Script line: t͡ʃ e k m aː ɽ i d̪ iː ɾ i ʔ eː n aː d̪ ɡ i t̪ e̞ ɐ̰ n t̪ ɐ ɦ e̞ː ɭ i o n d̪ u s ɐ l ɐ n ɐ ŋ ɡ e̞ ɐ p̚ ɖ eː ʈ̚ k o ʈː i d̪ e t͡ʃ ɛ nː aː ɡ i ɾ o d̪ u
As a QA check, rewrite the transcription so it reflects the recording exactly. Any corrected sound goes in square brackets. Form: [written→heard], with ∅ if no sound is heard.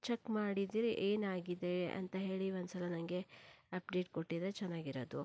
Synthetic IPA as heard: t͡ʃ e k m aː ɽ i d̪ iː ɾ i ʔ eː n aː [d̪→∅] ɡ i [t̪→d̪] e̞ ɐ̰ n t̪ ɐ ɦ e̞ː ɭ i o n d̪ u s ɐ l ɐ n ɐ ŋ ɡ e̞ ɐ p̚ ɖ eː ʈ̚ k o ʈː i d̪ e t͡ʃ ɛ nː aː ɡ i ɾ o d̪ u